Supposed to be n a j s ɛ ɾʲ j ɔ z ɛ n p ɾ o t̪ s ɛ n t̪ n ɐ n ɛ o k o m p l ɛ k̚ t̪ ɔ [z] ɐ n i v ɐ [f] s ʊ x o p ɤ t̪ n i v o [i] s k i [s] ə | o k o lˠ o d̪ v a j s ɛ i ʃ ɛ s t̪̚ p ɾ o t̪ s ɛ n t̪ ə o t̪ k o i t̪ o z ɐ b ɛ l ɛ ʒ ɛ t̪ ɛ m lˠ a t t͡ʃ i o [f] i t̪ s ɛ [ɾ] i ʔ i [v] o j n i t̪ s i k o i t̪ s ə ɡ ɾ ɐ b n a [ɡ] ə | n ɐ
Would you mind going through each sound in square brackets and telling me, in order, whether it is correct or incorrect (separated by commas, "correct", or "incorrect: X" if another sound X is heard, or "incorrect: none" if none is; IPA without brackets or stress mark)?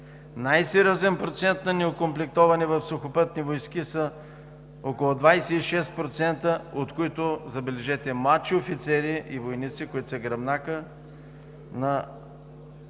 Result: incorrect: v, correct, incorrect: j, correct, correct, correct, correct, incorrect: k